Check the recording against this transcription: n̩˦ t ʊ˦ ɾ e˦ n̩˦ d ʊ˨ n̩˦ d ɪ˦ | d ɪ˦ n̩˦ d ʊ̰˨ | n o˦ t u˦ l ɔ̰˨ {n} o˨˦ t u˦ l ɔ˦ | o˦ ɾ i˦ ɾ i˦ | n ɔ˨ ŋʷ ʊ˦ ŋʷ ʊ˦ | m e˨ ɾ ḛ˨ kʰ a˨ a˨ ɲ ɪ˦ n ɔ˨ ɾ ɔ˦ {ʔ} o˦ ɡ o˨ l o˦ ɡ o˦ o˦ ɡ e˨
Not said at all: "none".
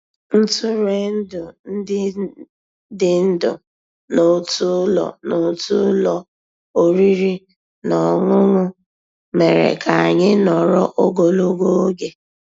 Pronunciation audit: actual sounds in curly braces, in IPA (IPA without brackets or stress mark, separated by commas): n, ʔ